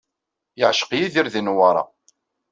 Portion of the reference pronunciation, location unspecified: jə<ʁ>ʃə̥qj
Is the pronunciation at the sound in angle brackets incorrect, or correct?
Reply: incorrect